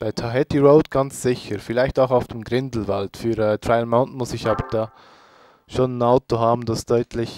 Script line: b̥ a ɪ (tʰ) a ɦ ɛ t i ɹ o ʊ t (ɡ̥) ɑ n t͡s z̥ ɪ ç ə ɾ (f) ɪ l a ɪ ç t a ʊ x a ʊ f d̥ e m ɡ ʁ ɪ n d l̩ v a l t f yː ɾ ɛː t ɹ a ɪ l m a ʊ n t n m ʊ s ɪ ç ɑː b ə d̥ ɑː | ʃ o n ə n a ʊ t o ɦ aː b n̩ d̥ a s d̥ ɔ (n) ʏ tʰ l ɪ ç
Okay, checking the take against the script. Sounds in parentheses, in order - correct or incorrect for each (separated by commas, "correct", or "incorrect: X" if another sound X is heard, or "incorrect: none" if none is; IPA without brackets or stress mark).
correct, correct, correct, incorrect: none